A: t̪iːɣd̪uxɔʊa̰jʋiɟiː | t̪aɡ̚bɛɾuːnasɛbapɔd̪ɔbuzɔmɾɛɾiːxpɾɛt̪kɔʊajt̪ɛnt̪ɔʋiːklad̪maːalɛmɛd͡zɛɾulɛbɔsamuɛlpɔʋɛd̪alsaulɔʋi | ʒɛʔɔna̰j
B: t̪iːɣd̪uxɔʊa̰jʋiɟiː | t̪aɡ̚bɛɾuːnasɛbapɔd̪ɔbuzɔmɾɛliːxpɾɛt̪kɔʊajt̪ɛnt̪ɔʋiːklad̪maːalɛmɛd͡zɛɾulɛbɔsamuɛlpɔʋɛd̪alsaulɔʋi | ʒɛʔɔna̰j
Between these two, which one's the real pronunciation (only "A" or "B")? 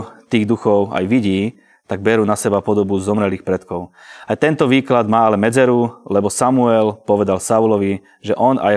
B